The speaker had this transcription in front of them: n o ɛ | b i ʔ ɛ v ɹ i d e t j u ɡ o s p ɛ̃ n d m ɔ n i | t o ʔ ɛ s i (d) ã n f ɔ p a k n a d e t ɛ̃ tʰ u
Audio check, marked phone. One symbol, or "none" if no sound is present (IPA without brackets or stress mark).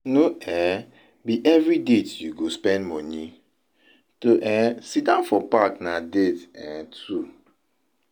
d